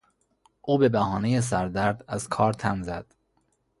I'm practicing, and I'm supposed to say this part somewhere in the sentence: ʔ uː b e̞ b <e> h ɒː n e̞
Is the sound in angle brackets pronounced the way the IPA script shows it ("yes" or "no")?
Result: no